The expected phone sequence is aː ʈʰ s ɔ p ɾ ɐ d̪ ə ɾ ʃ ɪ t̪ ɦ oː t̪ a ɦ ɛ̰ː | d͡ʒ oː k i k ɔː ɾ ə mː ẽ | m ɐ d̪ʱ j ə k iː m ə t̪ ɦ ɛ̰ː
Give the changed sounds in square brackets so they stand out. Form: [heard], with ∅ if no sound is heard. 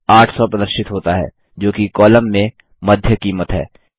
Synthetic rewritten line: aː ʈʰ s ɔ p ɾ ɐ d̪ ə ɾ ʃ ɪ t̪ ɦ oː t̪ a ɦ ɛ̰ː | d͡ʒ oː k i k ɔː [l] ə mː ẽ | m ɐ d̪ʱ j ə k iː m ə t̪ ɦ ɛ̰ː